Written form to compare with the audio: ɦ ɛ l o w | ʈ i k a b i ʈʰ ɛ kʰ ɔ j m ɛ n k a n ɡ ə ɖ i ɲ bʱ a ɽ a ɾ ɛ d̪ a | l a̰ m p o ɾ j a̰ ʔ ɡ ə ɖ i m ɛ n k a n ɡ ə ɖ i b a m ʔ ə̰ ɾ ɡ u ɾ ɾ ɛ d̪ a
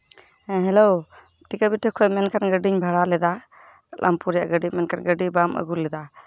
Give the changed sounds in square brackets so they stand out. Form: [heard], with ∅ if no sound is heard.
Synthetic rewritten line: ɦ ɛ l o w | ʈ i k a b i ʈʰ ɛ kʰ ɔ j m ɛ n k a n ɡ ə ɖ i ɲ bʱ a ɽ a [l] ɛ d̪ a | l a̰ m p [u] ɾ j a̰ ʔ ɡ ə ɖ i m ɛ n k a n ɡ ə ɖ i b a m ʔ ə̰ [∅] ɡ u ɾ [l] ɛ d̪ a